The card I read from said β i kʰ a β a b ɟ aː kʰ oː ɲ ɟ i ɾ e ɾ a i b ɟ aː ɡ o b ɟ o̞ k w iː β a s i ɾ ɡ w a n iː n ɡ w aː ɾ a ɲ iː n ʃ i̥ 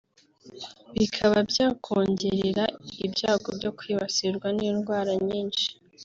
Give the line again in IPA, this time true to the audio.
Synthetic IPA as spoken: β i kʰ a β a b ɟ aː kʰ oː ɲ ɟ e ɾ e ɾ a i b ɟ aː ɡ o b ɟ o̞ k w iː β a s i ɾ ɡ w a n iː n ɡ w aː ɾ a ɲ iː n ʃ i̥